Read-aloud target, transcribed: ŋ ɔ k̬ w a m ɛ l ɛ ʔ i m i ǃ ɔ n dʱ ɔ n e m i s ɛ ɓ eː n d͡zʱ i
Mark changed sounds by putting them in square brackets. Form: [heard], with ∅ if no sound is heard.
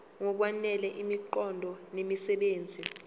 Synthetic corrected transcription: ŋ ɔ k̬ w a [n] ɛ l ɛ ʔ i m i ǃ ɔ n dʱ ɔ n e m i s ɛ ɓ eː n d͡zʱ i